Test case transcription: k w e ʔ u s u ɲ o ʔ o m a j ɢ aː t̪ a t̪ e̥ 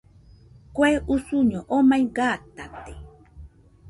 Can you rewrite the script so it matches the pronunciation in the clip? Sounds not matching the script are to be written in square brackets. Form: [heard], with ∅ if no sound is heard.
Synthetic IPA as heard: k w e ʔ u s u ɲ o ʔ o m a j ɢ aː t̪ a t̪ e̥